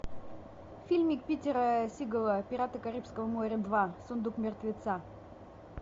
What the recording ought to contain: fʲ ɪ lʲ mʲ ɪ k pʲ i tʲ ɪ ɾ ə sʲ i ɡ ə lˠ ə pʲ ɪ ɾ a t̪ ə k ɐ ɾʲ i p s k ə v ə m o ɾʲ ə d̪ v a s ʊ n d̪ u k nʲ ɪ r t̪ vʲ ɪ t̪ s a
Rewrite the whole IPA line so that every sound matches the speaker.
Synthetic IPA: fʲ i lʲ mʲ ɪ k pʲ i tʲ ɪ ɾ ə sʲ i ɡ ə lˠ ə pʲ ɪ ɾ a t̪ ə k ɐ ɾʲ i p s k ə v ə m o ɾʲ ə d̪ v a s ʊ n d̪ u k mʲ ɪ r t̪ vʲ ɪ t̪ s a